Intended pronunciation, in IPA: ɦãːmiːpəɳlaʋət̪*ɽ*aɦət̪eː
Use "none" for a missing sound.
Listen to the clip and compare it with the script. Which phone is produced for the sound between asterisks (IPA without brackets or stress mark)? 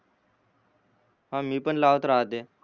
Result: ɾ